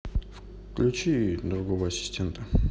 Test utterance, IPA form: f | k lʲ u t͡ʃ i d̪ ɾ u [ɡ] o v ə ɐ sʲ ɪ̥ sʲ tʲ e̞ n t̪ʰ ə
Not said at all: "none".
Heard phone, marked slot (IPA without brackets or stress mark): ɡ